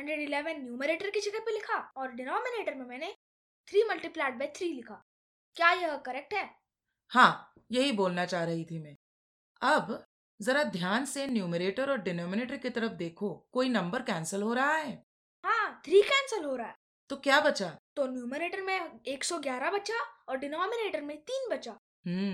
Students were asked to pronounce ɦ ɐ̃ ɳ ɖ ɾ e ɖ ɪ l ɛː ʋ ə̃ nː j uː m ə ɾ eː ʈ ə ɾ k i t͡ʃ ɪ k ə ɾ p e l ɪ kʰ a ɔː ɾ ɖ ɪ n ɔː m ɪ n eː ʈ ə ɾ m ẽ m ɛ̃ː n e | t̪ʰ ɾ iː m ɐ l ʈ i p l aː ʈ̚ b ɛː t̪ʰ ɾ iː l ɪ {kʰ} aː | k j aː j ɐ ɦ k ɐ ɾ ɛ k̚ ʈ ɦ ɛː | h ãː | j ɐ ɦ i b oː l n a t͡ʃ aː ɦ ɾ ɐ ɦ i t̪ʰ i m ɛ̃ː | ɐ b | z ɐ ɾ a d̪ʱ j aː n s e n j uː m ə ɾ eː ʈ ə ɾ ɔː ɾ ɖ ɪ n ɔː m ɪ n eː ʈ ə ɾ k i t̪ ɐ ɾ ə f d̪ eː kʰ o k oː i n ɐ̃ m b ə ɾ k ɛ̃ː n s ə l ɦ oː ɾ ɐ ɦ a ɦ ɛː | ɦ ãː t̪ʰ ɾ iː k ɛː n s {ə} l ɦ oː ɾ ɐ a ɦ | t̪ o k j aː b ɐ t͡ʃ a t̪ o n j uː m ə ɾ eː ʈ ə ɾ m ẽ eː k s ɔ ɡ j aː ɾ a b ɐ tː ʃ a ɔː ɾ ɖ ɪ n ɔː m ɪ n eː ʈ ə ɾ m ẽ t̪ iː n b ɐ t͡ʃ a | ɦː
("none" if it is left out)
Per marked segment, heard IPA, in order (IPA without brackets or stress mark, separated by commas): kʰ, ə